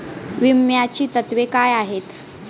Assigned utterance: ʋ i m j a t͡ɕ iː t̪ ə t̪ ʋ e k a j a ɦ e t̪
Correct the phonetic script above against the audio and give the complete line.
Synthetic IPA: ʋ i m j a t͡ɕ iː t̪ ə t̪ ʋ e k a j a ɦ e t̪